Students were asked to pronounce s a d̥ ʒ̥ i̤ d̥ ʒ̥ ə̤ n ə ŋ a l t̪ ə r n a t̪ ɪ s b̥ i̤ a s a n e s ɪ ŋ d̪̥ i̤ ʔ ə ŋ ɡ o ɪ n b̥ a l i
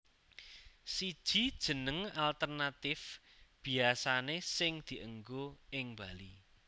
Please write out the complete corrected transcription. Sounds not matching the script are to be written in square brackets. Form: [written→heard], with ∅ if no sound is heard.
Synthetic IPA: s [a→i] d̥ ʒ̥ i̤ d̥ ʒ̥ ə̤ n ə ŋ a l t̪ ə r n a t̪ ɪ [s→f] b̥ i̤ a s a n e s ɪ ŋ d̪̥ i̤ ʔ ə ŋ ɡ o ɪ [n→ŋ] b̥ a l i